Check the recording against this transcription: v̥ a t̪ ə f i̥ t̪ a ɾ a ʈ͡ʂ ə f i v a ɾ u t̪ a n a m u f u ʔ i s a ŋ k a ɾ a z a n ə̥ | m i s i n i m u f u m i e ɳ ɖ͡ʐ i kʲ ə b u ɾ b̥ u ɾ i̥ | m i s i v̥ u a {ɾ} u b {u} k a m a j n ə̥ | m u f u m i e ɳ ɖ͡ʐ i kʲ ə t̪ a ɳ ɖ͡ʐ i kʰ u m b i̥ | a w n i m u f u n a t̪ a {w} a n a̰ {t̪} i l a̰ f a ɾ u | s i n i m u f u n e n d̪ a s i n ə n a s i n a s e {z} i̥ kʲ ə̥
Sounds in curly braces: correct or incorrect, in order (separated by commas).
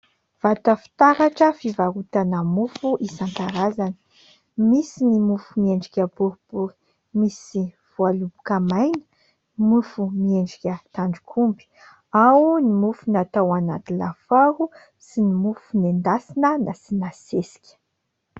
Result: incorrect, correct, correct, correct, incorrect